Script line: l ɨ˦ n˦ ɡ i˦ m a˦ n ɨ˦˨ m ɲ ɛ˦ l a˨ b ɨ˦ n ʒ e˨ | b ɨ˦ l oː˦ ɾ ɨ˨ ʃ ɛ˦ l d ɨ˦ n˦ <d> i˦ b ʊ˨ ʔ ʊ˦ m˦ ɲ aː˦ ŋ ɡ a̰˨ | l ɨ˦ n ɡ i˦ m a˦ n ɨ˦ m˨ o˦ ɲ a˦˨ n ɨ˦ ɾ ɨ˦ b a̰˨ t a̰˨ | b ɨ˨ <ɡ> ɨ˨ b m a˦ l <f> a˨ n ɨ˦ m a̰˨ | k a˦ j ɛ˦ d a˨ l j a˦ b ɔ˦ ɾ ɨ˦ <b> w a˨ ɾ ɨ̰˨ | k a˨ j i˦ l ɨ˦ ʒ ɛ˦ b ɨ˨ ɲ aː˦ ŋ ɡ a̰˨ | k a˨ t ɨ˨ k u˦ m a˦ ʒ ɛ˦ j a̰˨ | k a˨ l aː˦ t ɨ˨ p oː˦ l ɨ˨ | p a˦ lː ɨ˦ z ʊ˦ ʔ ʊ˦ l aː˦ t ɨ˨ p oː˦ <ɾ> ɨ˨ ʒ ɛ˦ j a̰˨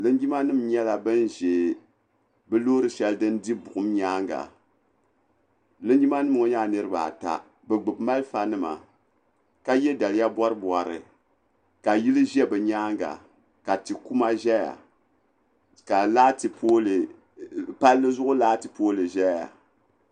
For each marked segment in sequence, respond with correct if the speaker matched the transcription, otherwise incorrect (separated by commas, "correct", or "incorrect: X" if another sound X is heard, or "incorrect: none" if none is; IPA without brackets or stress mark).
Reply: correct, incorrect: ɡ͡b, correct, correct, incorrect: l